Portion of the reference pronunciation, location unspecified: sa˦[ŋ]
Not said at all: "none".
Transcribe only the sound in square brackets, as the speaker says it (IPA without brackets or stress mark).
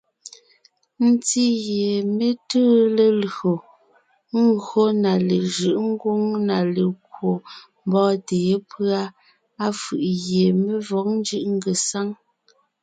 ŋ